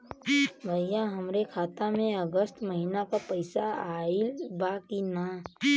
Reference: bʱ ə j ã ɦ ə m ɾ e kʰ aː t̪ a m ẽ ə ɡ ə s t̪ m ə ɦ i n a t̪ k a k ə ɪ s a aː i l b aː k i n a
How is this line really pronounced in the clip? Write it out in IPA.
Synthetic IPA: bʱ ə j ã ɦ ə m ɾ e kʰ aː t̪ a m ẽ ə ɡ ə s t̪ m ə ɦ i n a k a p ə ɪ s a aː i l b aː k i n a